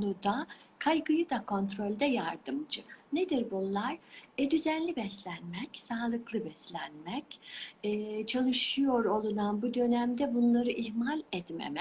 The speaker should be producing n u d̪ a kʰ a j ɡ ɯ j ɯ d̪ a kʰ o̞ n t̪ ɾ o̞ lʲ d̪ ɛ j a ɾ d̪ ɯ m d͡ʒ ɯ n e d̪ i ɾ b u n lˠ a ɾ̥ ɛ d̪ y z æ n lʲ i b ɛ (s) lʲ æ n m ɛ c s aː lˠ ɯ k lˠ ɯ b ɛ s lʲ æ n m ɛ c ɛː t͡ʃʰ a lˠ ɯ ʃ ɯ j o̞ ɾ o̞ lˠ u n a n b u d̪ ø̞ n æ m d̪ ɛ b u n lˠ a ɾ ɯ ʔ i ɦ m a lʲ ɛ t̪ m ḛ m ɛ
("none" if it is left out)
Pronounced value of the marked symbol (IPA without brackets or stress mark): s